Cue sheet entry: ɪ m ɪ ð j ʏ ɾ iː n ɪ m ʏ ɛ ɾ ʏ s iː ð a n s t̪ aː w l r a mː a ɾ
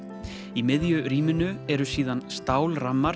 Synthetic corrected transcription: i m ɪ ð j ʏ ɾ iː m ɪ n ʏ ɛ ɾ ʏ s iː ð a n s t̪ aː w l r a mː a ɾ